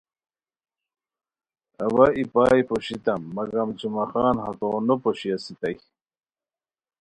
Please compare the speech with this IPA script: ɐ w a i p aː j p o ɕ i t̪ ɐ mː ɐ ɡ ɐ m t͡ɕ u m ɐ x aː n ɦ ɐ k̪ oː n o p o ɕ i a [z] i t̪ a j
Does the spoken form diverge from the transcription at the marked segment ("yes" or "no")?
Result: yes